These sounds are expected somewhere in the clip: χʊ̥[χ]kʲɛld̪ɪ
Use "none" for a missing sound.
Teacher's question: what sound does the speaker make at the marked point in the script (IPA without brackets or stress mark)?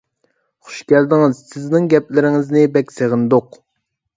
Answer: ʃ